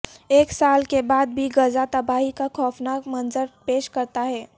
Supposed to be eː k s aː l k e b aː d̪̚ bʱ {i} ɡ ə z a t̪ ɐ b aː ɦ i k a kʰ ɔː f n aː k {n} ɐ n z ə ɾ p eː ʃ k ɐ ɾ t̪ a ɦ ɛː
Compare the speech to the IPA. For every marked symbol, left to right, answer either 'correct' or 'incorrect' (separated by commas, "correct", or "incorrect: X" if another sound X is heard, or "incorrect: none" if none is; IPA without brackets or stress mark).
correct, incorrect: m